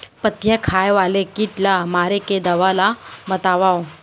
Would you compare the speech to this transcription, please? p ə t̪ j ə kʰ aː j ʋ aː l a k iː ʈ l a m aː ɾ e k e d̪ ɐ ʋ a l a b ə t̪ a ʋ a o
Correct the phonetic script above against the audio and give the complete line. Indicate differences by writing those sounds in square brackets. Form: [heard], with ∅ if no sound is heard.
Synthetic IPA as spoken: p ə t̪ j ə kʰ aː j ʋ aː l [e] k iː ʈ l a m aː ɾ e k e d̪ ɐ ʋ a l a b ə t̪ a ʋ a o